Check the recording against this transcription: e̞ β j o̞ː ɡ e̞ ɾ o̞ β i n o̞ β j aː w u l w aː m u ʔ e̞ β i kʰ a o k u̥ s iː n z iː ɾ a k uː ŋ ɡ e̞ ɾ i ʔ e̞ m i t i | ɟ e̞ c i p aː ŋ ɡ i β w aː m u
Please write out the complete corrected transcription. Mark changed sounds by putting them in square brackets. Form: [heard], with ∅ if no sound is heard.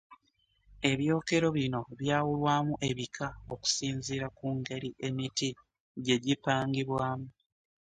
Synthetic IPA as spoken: e̞ β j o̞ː [k] e̞ ɾ o̞ β i n o̞ β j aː w u l w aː m u ʔ e̞ β i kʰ a o k u̥ s iː n z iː ɾ a k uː ŋ ɡ e̞ ɾ i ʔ e̞ m i t i | ɟ e̞ [ɟ] i p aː ŋ ɡ i β w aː m u